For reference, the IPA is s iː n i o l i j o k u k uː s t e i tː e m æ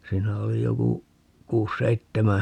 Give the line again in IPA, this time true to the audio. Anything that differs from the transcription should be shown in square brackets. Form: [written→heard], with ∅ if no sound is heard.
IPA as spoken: s iː n [i→æ] o l i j o k u k uː s [t→s] e i tː e m æ